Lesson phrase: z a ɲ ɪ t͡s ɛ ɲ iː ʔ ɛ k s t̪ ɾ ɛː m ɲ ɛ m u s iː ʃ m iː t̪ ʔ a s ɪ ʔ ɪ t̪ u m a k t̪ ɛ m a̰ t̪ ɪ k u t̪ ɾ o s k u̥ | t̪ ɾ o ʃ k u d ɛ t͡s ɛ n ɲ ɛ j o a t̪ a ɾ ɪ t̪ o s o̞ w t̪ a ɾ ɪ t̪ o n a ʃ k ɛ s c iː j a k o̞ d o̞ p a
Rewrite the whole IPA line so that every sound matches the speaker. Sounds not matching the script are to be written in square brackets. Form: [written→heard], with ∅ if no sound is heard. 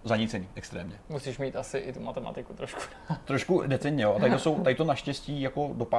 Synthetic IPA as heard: z a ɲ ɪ t͡s ɛ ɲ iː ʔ ɛ k s t̪ ɾ ɛː m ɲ ɛ m u s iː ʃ m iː t̪ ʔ a s ɪ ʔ ɪ t̪ u m a [k→∅] t̪ ɛ m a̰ t̪ ɪ k u t̪ ɾ o [s→ʃ] k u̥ | t̪ ɾ o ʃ k u d ɛ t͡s ɛ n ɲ ɛ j o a t̪ a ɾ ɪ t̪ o s o̞ w t̪ a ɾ ɪ t̪ o n a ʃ [k→c] ɛ s c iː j a k o̞ d o̞ p a